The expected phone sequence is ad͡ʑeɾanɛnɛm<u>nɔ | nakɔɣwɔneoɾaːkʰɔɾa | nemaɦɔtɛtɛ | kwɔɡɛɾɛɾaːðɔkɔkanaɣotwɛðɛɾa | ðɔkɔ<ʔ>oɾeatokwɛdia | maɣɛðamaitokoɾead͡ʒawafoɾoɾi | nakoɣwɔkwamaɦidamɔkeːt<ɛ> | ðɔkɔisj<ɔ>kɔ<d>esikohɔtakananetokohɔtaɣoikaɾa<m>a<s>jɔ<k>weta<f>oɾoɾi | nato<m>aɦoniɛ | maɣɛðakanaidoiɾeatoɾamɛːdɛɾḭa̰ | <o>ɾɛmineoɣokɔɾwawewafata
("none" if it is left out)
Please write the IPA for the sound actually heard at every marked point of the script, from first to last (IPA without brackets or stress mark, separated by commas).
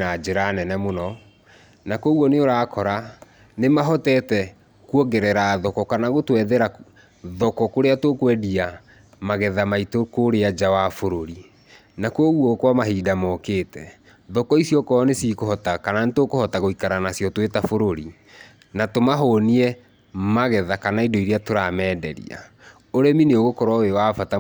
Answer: o, k, ɛ, ɔ, n, n, s, t, f, m, o